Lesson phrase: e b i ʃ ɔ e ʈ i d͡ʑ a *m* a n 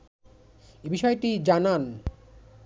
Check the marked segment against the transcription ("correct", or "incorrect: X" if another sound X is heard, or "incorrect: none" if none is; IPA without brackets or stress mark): incorrect: n